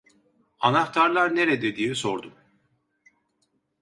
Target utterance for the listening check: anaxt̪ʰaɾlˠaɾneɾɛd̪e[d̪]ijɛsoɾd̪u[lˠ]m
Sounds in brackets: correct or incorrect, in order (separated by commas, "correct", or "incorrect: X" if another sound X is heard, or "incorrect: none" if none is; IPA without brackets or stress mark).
correct, incorrect: none